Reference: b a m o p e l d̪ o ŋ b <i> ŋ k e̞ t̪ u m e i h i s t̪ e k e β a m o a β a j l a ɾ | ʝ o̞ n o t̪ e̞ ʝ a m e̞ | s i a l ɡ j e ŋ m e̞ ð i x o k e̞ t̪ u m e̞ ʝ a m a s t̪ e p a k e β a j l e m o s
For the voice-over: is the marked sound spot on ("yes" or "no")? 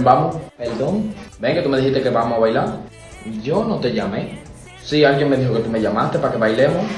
no